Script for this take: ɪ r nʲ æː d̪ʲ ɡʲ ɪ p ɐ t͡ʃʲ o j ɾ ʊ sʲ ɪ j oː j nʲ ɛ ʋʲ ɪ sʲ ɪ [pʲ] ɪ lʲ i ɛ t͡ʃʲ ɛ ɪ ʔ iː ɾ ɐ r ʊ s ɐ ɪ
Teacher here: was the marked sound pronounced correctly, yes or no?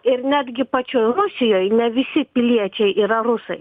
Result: yes